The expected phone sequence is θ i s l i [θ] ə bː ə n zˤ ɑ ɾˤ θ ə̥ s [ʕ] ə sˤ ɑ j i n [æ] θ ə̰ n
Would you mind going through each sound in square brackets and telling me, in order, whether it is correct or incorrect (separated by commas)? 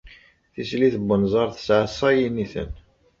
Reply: correct, correct, incorrect